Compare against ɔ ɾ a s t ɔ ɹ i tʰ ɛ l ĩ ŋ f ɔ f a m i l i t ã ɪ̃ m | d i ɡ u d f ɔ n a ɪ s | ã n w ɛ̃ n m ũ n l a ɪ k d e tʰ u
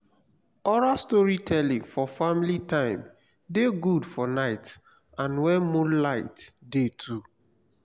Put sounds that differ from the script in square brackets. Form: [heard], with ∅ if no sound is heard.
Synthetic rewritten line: ɔ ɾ a s t ɔ ɹ i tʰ ɛ l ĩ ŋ f ɔ f a m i l i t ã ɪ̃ m | d [e] ɡ u d f ɔ n a ɪ [t] | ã n w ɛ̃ n m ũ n l a ɪ [t] d e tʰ u